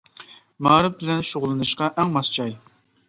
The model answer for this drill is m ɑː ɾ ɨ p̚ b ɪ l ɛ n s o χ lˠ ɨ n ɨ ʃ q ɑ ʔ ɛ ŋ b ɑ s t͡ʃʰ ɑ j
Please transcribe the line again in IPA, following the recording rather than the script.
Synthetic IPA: m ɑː ɾ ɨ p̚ b ɪ l ɛ n ʃ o ʁ lˠ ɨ n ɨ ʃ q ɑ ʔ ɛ ŋ m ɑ s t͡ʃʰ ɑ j